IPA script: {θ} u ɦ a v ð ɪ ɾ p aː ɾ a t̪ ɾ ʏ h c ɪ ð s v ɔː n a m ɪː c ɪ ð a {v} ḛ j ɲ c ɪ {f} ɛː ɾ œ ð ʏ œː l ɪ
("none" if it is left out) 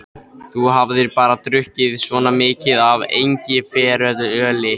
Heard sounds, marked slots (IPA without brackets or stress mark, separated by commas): θ, v, f